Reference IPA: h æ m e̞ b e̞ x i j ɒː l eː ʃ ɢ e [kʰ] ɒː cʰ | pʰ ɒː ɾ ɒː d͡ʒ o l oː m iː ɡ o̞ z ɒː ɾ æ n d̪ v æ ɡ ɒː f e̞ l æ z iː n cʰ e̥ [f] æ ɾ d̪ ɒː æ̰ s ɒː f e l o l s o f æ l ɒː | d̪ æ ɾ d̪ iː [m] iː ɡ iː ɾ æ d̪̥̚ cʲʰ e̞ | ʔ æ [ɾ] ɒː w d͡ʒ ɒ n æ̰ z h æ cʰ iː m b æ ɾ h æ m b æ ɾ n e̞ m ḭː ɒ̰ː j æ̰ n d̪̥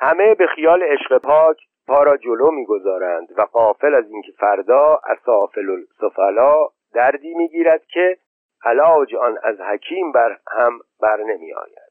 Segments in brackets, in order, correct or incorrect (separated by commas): incorrect, correct, correct, incorrect